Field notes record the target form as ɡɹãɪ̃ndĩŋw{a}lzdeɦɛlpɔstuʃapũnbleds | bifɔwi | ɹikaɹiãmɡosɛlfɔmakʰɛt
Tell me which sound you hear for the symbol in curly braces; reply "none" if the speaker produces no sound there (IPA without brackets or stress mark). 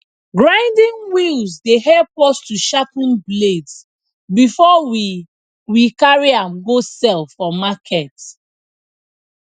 i